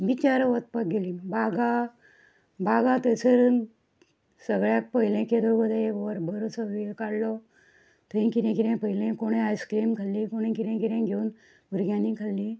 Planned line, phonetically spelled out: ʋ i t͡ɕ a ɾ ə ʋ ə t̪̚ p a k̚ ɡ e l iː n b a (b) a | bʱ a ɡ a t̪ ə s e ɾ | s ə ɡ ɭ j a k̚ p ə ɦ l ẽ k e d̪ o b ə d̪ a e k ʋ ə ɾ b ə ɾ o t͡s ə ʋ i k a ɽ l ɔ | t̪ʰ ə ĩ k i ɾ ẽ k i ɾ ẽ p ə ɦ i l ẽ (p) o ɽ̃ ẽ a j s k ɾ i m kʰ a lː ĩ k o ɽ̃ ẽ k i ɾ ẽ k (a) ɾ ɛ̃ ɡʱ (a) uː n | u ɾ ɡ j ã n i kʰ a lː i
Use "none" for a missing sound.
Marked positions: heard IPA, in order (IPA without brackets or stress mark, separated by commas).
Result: ɡ, k, i, e